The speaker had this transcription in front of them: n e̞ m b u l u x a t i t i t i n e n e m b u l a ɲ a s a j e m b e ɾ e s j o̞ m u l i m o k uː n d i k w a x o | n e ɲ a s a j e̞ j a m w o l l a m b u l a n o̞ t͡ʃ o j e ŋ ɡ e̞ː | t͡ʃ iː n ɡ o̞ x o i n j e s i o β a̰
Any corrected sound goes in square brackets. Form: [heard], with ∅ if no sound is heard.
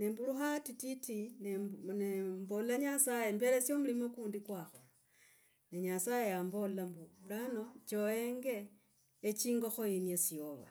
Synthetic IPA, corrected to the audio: n e̞ m b u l u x a t i t i t i n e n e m b [o] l a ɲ a s a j e m b e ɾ e s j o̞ m u l i m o k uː n d i k w a x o | n e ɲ a s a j e̞ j a m [b] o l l a m b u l a n o̞ t͡ʃ o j e ŋ ɡ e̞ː | t͡ʃ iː [ŋ] ɡ o̞ x o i n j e s i o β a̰